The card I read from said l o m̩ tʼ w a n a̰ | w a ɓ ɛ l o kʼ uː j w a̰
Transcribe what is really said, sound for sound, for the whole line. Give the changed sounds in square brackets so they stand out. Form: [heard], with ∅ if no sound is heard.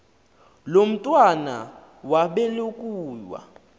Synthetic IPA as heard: l o m̩ tʼ w a n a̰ | w a ɓ ɛ l o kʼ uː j w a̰